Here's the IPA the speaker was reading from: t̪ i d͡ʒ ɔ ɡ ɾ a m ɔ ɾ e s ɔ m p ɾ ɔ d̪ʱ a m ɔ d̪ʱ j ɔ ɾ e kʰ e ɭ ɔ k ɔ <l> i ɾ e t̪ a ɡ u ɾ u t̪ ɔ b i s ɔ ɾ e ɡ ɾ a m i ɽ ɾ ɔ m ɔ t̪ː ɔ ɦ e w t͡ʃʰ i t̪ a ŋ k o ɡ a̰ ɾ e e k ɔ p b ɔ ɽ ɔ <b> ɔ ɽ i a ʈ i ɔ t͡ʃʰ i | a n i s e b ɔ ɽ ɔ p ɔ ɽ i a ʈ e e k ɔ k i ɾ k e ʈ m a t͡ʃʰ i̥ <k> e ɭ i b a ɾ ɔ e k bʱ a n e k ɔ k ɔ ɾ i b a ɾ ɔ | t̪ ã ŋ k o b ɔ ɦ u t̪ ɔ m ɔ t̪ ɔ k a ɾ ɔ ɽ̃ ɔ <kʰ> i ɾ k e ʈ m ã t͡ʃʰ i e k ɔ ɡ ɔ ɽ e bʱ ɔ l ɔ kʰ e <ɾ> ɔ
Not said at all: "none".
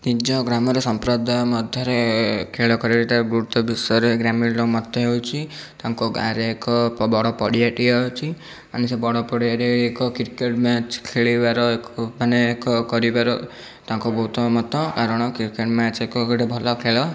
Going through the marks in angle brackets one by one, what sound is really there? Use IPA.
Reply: ɾ, p, kʰ, k, ɭ

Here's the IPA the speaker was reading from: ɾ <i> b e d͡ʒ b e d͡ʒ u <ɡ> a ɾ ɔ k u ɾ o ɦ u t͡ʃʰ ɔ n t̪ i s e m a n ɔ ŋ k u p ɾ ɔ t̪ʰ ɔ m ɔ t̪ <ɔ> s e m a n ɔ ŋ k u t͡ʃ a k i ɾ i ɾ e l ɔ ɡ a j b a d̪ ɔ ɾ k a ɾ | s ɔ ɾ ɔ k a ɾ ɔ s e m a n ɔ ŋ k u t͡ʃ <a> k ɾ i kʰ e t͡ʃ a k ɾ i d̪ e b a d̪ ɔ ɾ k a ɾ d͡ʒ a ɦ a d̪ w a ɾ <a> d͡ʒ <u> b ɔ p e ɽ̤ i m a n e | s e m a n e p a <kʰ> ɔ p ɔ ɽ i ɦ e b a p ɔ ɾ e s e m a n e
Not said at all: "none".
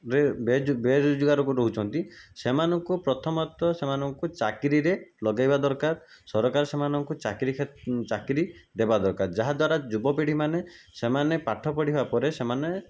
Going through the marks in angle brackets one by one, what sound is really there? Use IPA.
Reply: e, ɡ, ɔ, a, a, u, ʈʰ

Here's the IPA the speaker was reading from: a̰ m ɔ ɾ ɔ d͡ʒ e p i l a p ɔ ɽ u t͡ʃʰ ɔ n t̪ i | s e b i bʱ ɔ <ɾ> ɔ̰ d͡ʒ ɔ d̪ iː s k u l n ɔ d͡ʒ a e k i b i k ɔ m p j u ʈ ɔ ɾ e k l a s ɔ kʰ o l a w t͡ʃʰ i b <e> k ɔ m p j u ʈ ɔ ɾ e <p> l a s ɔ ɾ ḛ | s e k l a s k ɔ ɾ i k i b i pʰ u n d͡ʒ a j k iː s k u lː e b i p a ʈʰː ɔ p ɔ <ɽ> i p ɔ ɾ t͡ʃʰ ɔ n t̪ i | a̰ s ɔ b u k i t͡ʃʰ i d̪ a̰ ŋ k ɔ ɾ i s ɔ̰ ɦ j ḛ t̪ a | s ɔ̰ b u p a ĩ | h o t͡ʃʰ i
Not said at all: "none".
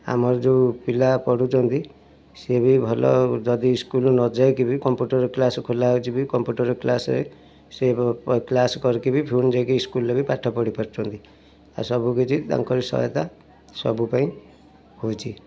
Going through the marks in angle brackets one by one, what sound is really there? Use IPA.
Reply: l, i, k, ɽ

